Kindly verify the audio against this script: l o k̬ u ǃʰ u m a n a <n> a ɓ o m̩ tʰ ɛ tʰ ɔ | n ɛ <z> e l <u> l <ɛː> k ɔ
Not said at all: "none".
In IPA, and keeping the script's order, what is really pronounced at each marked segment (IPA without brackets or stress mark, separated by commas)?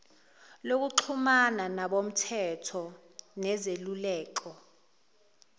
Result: n, z, u, ɛː